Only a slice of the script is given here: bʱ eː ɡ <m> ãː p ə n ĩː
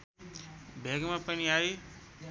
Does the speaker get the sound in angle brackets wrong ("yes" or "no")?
no